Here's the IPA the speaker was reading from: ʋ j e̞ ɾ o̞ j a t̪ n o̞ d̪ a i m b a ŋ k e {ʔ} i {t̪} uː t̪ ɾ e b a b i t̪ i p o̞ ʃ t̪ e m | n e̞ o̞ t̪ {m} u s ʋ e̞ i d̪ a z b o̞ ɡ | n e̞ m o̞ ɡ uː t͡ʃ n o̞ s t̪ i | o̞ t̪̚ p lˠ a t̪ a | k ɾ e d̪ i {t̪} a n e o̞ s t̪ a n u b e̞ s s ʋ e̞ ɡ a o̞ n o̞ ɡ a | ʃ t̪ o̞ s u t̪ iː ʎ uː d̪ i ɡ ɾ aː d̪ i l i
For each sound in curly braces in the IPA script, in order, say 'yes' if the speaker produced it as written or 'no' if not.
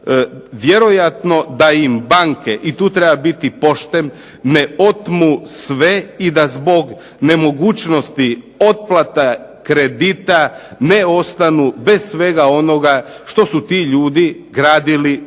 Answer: yes, yes, yes, yes

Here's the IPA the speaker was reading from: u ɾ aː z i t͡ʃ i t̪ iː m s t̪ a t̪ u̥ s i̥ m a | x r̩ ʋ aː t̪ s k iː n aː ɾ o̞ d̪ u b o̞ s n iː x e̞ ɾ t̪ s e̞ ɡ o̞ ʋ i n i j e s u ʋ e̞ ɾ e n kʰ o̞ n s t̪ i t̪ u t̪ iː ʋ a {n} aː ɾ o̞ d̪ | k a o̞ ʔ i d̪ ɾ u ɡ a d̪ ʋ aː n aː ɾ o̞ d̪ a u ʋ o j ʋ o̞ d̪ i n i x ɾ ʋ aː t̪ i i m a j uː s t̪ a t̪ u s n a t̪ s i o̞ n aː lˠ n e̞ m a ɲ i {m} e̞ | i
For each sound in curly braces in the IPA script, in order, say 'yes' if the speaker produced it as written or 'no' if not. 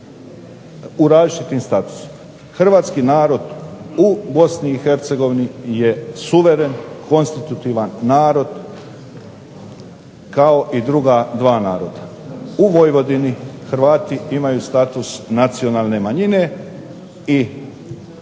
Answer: no, no

